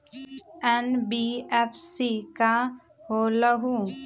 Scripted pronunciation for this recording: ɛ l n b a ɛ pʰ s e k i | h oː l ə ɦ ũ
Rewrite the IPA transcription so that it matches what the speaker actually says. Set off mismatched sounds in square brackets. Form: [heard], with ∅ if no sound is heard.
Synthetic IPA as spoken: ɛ [∅] n b [i] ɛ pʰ s [i] k [a] | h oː l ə ɦ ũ